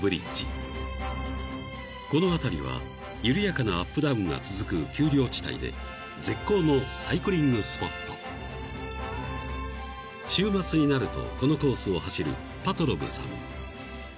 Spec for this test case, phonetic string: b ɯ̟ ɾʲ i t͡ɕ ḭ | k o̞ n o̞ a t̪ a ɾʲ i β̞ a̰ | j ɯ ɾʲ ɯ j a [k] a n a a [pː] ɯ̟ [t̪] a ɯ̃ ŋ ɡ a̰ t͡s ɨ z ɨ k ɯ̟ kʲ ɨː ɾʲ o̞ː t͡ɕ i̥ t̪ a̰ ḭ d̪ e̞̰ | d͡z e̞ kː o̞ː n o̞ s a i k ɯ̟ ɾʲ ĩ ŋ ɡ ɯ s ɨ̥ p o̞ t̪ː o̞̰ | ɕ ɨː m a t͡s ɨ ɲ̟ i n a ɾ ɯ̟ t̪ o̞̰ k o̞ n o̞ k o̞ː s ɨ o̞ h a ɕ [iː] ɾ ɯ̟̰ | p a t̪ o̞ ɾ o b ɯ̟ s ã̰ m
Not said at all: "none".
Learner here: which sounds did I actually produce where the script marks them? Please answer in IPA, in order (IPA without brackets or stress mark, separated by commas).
k, pː, d̪, i